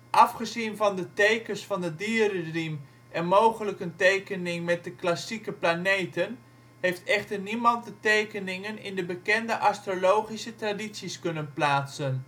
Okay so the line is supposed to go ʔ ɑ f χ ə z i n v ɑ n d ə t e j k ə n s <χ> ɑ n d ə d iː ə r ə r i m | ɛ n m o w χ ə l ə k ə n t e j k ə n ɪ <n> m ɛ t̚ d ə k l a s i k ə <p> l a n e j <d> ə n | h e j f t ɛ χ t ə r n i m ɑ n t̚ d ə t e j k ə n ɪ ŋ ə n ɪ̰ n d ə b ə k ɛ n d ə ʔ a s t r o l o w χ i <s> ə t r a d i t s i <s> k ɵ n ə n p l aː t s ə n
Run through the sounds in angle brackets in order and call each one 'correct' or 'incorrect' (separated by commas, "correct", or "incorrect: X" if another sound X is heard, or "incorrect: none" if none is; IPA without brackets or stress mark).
incorrect: f, incorrect: ŋ, correct, incorrect: t, correct, correct